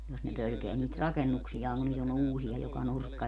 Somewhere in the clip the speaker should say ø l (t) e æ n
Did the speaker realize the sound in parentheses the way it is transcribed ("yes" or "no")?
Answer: no